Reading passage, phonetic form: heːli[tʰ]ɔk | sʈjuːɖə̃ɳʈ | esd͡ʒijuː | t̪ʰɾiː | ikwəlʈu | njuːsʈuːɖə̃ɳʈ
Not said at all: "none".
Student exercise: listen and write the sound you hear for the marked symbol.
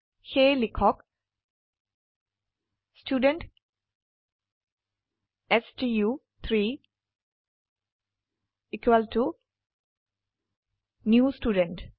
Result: kʰ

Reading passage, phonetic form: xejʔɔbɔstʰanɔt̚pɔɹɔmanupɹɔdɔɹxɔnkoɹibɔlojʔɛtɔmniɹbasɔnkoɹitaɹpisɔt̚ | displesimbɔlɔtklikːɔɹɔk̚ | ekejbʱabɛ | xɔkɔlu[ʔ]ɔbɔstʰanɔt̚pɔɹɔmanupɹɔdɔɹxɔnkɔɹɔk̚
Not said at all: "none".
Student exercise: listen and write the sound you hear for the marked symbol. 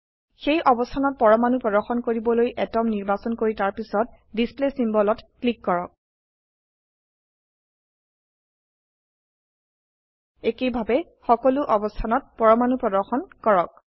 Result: ʔ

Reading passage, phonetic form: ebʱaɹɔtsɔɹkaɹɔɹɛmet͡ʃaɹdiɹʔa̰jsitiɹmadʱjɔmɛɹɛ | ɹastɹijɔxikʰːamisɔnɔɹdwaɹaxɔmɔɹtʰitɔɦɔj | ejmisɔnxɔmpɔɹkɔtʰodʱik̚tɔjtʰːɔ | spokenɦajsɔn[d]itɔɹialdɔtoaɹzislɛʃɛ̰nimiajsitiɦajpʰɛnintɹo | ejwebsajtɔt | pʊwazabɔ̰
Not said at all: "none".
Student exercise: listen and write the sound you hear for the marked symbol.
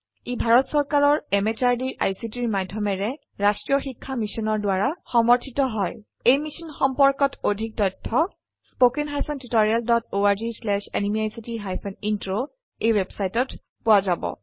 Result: t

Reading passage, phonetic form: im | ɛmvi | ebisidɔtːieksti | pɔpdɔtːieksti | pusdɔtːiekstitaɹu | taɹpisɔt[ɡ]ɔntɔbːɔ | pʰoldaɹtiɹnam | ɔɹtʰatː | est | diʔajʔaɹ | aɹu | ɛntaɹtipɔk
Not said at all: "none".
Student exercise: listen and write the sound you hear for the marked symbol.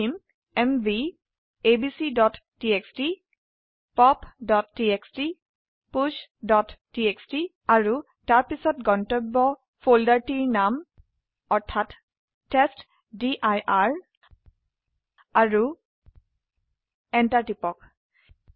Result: ɡ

